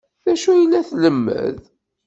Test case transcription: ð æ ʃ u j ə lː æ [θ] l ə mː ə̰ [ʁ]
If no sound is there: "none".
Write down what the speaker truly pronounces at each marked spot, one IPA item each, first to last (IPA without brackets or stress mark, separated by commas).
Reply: θ, ð